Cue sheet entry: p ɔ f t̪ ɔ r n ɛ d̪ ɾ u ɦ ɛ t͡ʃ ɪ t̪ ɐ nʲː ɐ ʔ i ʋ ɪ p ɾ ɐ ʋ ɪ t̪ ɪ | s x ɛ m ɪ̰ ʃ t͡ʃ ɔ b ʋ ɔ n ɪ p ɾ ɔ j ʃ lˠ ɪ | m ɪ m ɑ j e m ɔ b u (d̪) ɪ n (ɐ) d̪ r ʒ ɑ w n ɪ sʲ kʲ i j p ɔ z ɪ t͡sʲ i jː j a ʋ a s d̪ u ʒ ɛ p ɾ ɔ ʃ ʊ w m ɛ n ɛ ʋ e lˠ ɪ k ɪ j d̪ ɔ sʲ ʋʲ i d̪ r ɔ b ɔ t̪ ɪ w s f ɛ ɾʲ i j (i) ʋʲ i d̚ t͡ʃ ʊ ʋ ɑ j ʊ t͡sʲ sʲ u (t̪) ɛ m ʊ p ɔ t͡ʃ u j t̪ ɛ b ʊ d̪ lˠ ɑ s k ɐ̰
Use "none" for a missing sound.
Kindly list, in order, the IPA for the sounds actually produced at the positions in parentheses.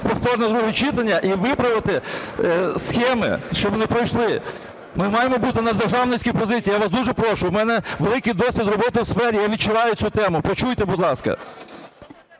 t̪, ɐ, a, t̪

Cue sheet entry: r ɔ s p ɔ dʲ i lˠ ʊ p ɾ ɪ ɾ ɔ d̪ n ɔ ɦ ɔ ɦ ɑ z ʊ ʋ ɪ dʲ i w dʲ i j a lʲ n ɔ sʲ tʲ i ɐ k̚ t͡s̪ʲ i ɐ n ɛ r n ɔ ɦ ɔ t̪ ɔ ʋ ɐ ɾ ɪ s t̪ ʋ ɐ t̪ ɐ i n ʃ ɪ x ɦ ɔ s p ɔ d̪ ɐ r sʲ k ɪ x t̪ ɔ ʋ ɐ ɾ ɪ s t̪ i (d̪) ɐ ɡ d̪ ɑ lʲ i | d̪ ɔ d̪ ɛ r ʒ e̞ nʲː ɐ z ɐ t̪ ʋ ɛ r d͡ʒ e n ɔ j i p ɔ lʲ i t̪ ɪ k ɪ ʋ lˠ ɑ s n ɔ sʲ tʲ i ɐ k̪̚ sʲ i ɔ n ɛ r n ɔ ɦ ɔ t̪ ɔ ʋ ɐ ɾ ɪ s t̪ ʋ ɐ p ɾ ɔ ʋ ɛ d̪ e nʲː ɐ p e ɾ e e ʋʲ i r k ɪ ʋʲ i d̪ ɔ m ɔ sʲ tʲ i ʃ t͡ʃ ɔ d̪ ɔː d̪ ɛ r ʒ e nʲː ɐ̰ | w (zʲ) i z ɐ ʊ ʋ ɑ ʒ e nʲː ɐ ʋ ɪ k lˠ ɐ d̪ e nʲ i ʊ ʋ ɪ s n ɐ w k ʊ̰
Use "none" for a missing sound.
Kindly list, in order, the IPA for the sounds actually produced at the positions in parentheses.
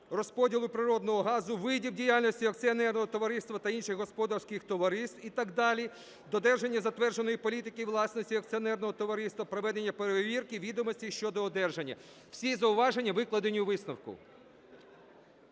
t̪, sʲ

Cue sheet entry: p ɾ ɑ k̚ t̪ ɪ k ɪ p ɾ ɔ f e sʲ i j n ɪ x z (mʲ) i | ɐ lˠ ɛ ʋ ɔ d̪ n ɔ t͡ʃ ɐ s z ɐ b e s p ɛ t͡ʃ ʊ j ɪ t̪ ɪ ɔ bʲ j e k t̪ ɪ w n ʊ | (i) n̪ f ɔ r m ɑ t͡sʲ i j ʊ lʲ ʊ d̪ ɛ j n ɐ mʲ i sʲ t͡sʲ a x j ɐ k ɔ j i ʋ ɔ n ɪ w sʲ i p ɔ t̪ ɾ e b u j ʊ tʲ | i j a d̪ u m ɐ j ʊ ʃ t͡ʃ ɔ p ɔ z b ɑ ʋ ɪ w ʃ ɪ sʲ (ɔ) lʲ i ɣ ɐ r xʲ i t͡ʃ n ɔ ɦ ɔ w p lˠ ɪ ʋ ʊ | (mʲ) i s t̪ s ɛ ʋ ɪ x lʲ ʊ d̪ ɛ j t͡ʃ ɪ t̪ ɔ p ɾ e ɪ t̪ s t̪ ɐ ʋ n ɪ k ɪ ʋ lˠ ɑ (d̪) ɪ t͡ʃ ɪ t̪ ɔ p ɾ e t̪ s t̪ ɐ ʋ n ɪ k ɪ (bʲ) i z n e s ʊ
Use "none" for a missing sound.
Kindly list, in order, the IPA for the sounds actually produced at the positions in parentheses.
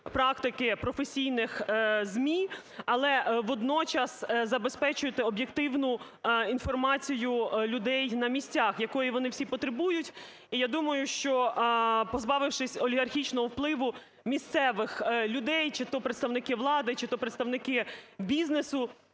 mʲ, i, ɔ, mʲ, d̪, bʲ

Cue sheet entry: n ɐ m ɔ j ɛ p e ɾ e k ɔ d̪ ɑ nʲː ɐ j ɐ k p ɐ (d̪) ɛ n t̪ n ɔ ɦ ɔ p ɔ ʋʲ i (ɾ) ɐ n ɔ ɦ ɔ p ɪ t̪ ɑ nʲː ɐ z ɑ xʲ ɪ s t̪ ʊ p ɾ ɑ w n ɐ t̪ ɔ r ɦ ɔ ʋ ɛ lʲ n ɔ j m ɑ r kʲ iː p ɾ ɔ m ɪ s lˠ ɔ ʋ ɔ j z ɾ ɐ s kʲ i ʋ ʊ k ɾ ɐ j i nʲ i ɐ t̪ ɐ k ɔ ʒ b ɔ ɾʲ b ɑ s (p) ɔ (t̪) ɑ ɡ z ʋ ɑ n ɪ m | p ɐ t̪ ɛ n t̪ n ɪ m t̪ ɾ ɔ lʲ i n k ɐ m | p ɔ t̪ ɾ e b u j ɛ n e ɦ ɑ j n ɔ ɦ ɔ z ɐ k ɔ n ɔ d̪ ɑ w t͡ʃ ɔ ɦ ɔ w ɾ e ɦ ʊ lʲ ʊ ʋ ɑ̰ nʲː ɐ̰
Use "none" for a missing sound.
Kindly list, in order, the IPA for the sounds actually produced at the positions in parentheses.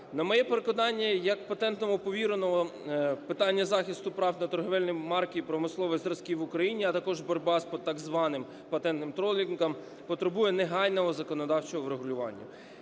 t̪, ɾ, p, t̪

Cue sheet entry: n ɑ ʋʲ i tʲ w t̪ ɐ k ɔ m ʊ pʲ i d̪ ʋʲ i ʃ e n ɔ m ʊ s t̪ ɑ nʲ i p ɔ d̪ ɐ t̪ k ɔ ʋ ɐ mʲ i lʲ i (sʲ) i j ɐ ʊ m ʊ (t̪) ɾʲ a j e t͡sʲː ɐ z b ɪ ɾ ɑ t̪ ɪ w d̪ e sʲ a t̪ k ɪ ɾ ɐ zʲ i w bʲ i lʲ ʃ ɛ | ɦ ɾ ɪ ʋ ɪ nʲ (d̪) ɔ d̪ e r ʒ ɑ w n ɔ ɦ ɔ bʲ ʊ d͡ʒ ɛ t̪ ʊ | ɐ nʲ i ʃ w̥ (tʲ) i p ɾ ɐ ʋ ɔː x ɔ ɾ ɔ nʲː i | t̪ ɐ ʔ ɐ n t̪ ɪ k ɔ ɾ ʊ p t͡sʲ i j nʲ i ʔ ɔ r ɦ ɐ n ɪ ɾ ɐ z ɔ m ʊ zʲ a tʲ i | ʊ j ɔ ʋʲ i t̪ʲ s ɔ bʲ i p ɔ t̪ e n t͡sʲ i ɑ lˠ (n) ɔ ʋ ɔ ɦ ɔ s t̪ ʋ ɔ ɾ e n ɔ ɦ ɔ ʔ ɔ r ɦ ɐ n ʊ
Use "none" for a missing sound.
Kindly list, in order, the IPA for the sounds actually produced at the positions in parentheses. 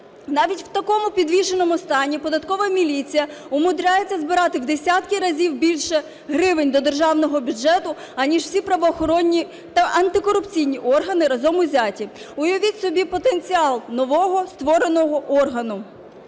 t͡sʲ, d̪, d̪, sʲ, n

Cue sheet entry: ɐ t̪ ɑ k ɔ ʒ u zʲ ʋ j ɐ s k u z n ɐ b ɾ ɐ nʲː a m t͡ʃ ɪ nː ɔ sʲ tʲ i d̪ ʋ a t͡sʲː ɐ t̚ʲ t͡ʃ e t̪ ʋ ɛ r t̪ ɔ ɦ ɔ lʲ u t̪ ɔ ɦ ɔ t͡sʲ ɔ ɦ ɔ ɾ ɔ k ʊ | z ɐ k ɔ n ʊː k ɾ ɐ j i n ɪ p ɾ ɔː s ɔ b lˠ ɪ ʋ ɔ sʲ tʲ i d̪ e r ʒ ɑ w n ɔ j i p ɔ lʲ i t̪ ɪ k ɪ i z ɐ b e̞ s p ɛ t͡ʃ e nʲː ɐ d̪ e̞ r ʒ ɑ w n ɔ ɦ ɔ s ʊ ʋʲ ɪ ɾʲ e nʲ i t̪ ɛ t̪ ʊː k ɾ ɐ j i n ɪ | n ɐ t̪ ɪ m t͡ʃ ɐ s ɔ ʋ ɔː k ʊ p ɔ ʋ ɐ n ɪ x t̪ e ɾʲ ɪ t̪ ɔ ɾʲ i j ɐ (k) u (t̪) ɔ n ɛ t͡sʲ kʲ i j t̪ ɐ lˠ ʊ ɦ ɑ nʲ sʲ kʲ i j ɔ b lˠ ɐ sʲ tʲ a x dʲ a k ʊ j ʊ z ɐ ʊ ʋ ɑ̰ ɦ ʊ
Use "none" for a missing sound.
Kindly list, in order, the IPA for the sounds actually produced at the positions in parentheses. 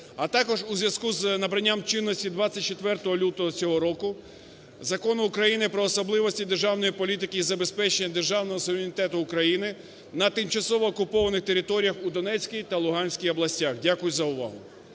x, d̪

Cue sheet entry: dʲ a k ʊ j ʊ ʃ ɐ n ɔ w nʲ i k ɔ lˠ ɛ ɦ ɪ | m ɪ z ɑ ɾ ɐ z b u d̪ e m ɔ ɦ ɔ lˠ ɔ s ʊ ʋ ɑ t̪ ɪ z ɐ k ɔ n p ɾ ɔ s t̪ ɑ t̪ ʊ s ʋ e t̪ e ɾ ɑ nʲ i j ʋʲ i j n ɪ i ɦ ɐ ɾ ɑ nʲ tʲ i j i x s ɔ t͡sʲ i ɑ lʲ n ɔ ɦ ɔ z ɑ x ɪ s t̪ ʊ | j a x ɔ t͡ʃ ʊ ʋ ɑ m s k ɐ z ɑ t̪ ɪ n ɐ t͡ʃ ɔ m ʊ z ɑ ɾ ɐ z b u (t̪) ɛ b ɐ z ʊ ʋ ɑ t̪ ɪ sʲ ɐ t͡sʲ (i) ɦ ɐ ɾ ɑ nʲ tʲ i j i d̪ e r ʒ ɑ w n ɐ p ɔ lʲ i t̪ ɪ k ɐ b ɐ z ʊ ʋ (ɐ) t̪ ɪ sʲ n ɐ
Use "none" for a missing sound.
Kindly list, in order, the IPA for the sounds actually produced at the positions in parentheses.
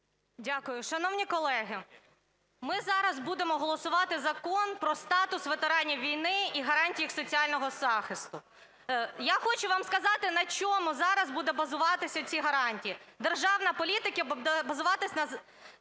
d̪, i, ɑ

